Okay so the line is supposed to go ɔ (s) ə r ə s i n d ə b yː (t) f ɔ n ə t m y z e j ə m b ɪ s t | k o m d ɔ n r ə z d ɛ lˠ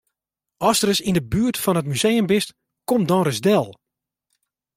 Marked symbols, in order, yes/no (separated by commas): yes, yes